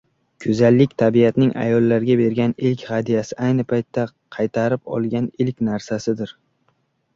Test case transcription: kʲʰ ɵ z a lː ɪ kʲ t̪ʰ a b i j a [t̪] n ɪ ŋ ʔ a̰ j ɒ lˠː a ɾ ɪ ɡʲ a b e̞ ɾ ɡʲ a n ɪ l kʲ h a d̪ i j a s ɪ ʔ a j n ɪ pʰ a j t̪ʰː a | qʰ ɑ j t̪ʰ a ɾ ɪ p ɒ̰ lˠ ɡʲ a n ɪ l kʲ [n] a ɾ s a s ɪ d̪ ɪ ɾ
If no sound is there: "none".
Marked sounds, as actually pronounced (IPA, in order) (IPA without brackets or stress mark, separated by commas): t̪, n